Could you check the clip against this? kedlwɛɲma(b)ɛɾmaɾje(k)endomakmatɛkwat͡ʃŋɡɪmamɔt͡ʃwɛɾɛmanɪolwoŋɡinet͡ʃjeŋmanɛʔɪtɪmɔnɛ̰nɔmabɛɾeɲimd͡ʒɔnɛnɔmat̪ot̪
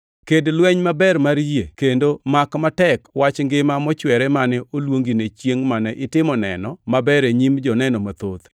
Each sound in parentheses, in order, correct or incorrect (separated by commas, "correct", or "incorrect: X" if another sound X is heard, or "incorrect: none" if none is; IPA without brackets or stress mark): correct, correct